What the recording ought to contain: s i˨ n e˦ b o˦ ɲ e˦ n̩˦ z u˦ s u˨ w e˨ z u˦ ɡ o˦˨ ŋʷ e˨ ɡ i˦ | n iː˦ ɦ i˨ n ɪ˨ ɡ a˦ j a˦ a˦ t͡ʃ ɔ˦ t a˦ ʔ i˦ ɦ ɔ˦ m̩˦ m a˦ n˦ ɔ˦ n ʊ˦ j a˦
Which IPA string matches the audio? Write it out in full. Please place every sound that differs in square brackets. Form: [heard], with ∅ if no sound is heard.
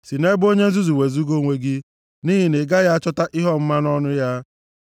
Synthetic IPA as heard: s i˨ n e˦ b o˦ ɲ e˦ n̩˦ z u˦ [z] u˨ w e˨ z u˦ ɡ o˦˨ ŋʷ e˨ ɡ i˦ | n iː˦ ɦ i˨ n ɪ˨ ɡ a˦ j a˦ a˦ t͡ʃ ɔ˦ t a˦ ʔ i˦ ɦ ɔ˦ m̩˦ m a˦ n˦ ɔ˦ n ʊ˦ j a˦